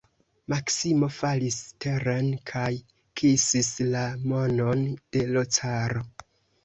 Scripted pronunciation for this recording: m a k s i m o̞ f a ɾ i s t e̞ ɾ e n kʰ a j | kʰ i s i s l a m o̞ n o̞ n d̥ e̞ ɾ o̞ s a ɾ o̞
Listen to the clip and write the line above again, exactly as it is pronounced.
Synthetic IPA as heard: m a k s i m o̞ f a l i s t e̞ ɾ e n kʰ a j | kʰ i s i s l a m o̞ n o̞ n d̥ e̞ l o̞ t͡s a ɾ o̞

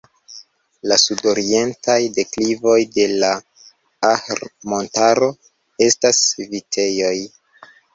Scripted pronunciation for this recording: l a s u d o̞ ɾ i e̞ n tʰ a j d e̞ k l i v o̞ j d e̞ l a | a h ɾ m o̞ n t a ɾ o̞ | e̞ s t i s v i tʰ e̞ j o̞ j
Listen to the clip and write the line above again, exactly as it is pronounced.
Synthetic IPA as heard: l a s u d o̞ ɾ i e̞ n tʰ a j d e̞ k l i v o̞ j d e̞ l a | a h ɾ m o̞ n t a ɾ o̞ | e̞ s t a s v i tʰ e̞ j o̞ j

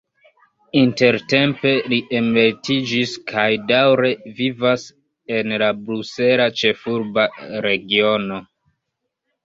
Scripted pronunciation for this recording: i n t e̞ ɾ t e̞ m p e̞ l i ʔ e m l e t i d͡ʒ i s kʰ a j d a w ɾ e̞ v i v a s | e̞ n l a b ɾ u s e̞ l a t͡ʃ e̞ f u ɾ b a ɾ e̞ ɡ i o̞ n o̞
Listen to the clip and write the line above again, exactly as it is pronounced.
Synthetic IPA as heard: i n t e̞ ɾ t e̞ m p e̞ l i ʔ e m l e t i d͡ʒ i s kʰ a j d a w ɾ e̞ v i v a s | e̞ n l a b ɾ u s e̞ l a t͡ʃ e̞ f u ɾ b a ɾ e̞ ɡ i o̞ n o̞

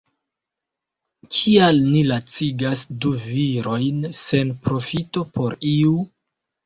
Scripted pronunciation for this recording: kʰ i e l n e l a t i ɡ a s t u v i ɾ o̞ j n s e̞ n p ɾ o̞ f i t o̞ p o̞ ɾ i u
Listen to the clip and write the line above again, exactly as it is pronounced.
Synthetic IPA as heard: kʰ i a l n i l a t͡s i ɡ a s d u v i ɾ o̞ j n s e̞ n p ɾ o̞ f i t o̞ p o̞ ɾ i u

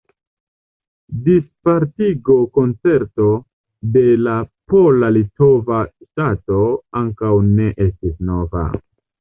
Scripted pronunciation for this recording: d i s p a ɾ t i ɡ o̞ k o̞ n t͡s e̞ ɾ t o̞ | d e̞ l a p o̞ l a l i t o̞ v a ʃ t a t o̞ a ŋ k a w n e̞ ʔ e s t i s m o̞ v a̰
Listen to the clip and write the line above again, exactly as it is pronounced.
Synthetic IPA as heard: d i s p a ɾ t i ɡ o̞ k o̞ n t͡s e̞ ɾ t o̞ | d e̞ l a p o̞ l a l i t o̞ v a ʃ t a t o̞ a ŋ k a w n e̞ ʔ e s t i s n o̞ v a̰

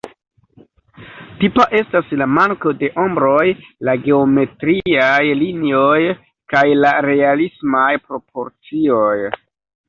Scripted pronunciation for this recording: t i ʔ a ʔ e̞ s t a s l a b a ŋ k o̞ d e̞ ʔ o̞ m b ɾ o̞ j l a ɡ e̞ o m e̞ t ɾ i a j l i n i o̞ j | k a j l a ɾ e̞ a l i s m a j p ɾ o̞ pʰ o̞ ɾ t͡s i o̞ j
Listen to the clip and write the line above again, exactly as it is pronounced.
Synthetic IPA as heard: t i p a ʔ e̞ s t a s l a m a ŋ k o̞ d e̞ ʔ o̞ m b ɾ o̞ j l a ɡ e̞ o m e̞ t ɾ i a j l i n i o̞ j | k a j l a ɾ e̞ a l i s m a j p ɾ o̞ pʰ o̞ ɾ t͡s i o̞ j

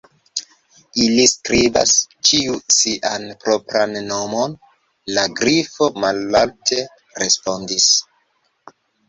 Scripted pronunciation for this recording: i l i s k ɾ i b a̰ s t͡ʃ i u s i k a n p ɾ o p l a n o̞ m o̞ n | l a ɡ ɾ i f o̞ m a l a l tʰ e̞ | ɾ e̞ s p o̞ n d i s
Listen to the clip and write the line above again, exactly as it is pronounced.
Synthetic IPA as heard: i l i s k ɾ i b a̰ s t͡ʃ i u s i ʔ a n p ɾ o p ɾ a nː o̞ m o̞ n | l a ɡ ɾ i f o̞ m a l a l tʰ e̞ | ɾ e̞ s p o̞ n d i s

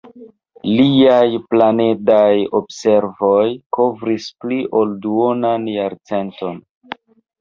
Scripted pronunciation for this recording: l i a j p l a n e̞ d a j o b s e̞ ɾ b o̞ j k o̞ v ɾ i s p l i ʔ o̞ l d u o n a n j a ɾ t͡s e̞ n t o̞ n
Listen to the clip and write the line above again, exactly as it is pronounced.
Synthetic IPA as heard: l i a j p l a n e̞ d a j o b s e̞ ɾ v o̞ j k o̞ v ɾ i s p l i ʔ o̞ l d u o n a n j a ɾ t͡s e̞ n t o̞ n

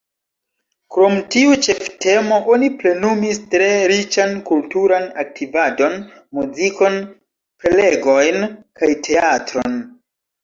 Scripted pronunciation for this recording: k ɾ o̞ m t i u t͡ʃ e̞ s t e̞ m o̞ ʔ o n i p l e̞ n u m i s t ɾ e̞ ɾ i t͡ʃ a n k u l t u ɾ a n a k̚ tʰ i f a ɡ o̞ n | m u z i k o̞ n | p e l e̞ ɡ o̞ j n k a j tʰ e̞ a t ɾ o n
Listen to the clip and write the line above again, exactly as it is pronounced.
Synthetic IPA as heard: k ɾ o̞ m t i u t͡ʃ e̞ f t e̞ m o̞ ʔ o n i p l e̞ n u m i s t ɾ e̞ ɾ i t͡ʃ a n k u l t u ɾ a n a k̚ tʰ i v a d o̞ n | m u z i k o̞ n | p e l e̞ ɡ o̞ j n k a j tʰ e̞ a t ɾ o n

